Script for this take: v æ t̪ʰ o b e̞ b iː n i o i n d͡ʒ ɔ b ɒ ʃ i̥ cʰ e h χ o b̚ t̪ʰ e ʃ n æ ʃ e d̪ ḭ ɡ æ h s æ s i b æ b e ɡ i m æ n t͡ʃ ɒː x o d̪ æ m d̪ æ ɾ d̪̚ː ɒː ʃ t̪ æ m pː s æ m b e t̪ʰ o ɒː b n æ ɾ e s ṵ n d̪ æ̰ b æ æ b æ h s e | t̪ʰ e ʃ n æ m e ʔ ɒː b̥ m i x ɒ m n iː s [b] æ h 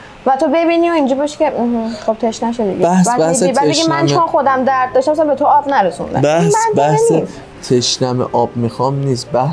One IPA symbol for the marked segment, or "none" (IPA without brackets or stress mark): b